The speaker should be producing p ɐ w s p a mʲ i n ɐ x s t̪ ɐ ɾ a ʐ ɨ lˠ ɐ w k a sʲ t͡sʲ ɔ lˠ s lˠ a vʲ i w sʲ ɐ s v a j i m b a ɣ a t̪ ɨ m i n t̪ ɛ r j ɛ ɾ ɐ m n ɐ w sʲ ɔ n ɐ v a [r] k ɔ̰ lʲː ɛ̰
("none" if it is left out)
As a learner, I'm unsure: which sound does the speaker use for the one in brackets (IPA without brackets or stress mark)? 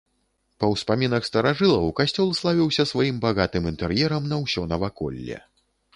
none